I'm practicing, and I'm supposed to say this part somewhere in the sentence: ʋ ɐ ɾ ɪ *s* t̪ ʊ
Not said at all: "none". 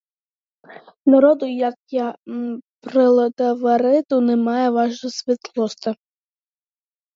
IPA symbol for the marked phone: none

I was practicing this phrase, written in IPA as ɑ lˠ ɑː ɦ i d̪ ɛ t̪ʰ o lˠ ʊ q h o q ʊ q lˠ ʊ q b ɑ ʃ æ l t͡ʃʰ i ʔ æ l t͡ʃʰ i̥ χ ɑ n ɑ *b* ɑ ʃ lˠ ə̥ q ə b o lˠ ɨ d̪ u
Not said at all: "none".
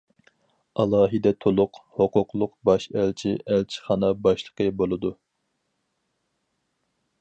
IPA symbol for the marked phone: b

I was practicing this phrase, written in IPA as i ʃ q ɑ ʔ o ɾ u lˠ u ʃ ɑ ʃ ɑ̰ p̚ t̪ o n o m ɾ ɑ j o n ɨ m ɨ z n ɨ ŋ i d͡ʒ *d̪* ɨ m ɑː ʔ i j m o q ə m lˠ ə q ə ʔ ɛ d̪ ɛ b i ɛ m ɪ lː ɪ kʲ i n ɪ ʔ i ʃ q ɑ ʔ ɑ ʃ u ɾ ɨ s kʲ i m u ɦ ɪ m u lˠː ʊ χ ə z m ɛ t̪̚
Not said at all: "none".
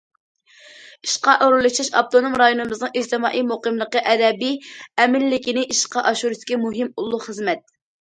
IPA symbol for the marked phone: t̪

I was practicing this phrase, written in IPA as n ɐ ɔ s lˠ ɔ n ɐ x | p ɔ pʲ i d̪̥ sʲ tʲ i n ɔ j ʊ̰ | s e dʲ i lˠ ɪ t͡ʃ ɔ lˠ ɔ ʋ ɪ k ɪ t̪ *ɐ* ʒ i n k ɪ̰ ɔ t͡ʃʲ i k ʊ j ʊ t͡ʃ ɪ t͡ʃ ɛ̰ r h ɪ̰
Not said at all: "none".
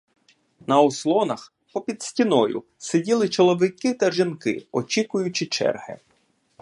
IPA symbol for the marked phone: ɐ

